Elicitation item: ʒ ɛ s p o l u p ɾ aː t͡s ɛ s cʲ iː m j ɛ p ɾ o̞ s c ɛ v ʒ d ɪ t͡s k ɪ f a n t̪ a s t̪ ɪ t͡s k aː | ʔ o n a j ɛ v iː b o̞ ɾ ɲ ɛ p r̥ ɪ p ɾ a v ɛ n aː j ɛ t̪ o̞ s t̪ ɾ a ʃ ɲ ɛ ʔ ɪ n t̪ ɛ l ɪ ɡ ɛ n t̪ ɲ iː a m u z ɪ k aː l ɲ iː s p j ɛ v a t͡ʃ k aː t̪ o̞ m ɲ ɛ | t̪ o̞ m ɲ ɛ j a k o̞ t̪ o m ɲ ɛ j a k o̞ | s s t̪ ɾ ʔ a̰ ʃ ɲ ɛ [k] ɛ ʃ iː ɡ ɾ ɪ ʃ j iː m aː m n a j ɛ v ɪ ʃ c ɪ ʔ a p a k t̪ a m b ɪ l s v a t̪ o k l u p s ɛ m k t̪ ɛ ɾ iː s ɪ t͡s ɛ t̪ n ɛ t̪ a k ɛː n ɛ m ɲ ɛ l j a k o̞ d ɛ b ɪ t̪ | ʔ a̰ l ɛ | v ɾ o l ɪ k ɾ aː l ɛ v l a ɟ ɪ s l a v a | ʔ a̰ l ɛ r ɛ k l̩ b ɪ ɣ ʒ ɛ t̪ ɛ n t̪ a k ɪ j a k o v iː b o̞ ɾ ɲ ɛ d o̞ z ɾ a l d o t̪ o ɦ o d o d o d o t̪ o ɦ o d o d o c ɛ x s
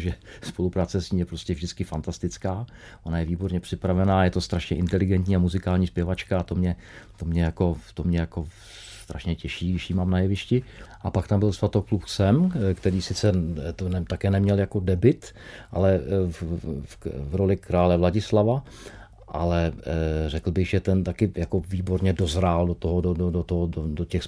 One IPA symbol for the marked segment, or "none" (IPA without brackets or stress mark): c